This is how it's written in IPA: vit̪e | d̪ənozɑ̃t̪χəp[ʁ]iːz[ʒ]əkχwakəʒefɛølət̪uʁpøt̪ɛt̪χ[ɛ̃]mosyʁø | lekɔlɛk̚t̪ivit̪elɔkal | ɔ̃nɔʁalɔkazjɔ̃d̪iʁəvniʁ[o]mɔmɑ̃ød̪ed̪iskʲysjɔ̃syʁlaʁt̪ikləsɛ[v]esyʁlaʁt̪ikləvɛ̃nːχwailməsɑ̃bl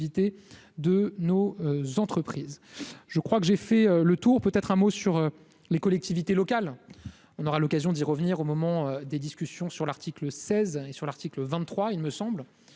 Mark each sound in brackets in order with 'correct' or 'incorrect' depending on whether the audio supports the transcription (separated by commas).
incorrect, correct, correct, correct, incorrect